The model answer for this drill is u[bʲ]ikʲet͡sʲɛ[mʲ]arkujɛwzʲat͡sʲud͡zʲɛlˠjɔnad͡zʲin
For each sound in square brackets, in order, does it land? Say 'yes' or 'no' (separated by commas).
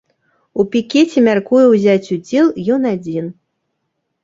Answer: no, yes